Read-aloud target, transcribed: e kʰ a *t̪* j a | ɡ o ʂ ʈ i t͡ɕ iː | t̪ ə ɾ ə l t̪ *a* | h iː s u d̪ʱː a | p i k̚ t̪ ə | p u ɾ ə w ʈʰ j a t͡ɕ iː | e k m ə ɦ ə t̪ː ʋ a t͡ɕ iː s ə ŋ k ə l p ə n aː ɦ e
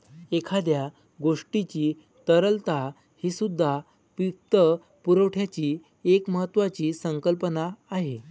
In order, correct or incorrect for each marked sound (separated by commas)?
incorrect, correct